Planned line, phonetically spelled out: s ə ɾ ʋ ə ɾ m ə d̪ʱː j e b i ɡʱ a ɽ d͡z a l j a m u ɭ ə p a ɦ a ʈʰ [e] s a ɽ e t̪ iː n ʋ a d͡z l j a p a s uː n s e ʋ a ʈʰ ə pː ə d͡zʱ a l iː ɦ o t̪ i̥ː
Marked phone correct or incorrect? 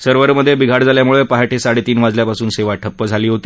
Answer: correct